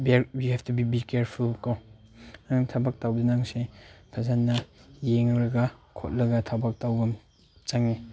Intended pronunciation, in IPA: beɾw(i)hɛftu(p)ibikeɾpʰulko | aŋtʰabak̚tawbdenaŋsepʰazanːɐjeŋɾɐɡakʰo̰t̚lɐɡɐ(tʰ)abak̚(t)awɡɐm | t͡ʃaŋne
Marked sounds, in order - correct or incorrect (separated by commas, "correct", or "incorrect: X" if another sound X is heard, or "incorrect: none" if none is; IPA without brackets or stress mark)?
correct, incorrect: b, correct, correct